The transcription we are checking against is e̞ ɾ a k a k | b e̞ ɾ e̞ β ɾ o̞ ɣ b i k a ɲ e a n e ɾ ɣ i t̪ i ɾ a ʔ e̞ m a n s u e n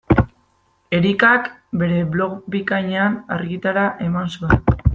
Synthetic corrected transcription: e̞ ɾ i k a k | b e̞ ɾ e̞ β l o̞ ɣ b i k a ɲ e a n a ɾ ɣ i t̪ a ɾ a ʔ e̞ m a n s u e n